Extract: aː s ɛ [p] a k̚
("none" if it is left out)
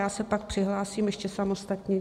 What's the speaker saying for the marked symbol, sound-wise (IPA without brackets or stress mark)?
p